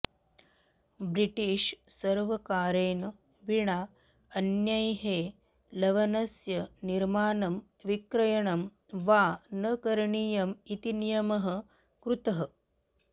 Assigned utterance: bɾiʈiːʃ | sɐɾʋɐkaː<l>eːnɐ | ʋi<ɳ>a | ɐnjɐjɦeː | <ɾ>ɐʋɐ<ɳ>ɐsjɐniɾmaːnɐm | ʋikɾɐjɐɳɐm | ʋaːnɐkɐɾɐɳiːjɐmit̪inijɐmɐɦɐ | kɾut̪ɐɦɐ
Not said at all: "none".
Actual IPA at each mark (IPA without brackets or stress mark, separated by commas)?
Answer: ɾ, ɳ, l, n